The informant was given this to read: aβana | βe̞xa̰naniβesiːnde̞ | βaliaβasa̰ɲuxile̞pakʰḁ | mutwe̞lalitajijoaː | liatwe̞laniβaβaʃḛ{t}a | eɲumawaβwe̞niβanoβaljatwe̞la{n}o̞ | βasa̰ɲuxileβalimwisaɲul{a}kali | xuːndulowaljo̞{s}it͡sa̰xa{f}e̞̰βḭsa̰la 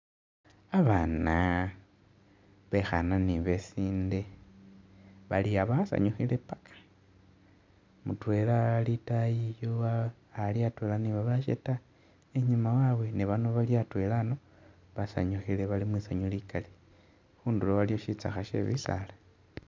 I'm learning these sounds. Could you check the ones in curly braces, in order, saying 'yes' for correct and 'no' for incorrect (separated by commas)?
yes, yes, no, no, no